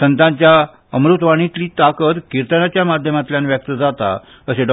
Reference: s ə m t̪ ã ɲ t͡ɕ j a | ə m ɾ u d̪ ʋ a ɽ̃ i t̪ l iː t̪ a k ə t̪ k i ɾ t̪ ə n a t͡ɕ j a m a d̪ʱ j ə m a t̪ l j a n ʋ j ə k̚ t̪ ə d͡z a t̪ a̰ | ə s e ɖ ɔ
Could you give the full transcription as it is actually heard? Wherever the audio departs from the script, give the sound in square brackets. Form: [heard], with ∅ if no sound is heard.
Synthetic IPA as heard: s ə [n] t̪ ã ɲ t͡ɕ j a | ə m ɾ u [t̪] ʋ a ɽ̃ i t̪ l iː t̪ a k ə t̪ k i ɾ t̪ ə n a t͡ɕ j a m a d̪ʱ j ə m a t̪ l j a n ʋ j ə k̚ t̪ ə d͡z a t̪ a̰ | ə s e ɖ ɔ